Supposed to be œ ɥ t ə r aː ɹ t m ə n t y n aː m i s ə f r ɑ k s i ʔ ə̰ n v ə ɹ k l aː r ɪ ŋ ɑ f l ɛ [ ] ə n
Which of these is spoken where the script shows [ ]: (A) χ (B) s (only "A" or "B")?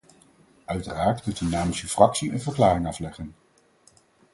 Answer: A